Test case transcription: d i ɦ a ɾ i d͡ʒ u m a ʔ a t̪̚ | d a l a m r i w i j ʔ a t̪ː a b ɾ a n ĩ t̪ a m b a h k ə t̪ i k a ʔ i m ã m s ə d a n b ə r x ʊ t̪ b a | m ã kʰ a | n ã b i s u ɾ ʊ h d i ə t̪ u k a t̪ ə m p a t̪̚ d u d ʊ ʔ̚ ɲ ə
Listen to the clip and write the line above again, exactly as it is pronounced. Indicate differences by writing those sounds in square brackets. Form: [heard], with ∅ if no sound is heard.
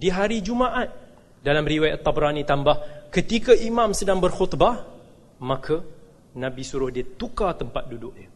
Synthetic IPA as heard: d i ɦ a ɾ i d͡ʒ u m a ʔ a t̪̚ | d a l a m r i w [a] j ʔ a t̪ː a b ɾ a n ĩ t̪ a m b a h k ə t̪ i k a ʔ i m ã m s ə d a [ŋ] b ə r x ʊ t̪ b a | m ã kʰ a | n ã b i s u ɾ ʊ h d i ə t̪ u k a t̪ ə m p a t̪̚ d u d ʊ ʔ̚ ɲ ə